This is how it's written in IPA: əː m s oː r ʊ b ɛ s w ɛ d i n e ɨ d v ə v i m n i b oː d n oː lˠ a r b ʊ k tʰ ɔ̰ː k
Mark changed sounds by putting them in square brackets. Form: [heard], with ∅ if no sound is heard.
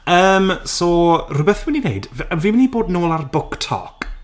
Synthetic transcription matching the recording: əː m s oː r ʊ b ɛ [θ] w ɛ [n] i n e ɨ d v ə v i m n i b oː d n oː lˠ a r b ʊ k tʰ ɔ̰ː k